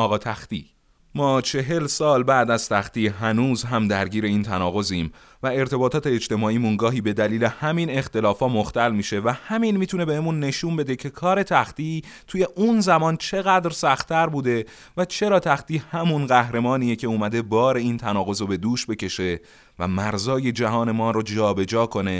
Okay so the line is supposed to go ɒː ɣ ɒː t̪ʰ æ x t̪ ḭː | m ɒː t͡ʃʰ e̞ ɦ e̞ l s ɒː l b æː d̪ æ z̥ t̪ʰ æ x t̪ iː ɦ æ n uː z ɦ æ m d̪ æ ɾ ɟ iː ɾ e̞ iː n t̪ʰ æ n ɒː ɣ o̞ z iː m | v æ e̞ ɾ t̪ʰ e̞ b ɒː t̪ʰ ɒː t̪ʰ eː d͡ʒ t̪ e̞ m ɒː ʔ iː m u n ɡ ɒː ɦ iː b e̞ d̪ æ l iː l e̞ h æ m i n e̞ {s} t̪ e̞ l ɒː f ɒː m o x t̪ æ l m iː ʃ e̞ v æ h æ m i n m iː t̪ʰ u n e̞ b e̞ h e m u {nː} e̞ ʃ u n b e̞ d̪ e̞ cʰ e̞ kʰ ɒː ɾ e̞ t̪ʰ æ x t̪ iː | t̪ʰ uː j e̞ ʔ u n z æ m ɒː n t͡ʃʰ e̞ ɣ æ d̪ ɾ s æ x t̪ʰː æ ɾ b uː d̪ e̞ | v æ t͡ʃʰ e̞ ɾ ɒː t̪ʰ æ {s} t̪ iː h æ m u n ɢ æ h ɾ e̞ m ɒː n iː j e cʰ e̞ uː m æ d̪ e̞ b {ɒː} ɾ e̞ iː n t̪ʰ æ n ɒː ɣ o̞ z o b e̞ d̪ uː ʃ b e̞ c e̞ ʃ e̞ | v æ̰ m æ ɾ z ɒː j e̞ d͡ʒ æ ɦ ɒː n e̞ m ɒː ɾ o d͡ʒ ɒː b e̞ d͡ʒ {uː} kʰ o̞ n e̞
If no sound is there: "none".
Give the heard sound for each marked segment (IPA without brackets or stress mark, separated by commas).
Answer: x, nː, x, ɒː, ɒː